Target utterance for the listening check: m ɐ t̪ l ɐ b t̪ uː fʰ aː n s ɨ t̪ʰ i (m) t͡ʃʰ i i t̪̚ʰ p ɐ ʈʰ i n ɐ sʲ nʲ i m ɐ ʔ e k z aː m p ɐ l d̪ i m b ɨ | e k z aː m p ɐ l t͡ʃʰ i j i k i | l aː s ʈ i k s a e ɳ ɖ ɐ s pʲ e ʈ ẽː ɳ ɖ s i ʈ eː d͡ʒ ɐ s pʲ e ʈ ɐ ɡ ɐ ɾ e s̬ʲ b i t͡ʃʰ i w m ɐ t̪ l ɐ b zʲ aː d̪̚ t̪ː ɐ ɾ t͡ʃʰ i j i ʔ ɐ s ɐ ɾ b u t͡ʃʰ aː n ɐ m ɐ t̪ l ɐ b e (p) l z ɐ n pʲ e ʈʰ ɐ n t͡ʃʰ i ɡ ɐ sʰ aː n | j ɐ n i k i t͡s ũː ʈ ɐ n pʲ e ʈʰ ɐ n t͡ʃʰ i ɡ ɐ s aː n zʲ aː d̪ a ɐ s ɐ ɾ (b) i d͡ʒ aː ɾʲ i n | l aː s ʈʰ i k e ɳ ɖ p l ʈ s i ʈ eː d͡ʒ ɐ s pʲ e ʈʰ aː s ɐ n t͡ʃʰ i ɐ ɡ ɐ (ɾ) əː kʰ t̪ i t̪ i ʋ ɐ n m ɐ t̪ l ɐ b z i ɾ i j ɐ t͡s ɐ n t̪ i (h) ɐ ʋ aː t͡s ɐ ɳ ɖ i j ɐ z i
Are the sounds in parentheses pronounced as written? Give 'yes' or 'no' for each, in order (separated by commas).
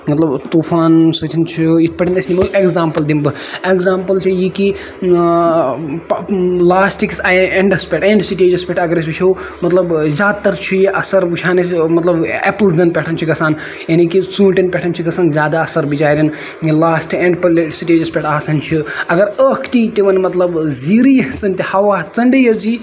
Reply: no, yes, yes, yes, yes